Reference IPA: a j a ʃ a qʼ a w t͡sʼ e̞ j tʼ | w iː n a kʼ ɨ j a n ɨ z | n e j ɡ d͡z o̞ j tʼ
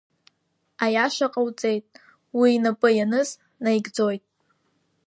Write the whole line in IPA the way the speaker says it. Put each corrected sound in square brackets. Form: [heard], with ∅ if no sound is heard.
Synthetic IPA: a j a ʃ a qʼ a w t͡sʼ e̞ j tʼ | w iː n a [pʼ] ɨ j a n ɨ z | n [a] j ɡ d͡z o̞ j tʼ